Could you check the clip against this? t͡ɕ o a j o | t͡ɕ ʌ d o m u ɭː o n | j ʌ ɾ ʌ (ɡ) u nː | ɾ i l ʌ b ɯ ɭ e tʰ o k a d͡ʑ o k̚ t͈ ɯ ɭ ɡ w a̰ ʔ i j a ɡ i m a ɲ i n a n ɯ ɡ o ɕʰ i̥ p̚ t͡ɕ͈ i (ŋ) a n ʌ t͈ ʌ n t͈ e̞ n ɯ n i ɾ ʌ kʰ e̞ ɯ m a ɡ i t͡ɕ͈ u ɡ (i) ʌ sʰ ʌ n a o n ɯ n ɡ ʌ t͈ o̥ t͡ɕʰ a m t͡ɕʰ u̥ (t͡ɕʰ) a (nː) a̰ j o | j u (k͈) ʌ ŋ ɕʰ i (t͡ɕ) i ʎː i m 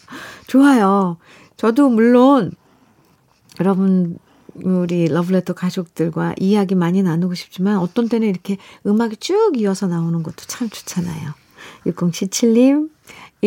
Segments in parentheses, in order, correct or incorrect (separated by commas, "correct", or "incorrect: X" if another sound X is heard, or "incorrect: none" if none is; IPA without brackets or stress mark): incorrect: b, incorrect: m, correct, correct, incorrect: n, correct, incorrect: t͡ɕʰ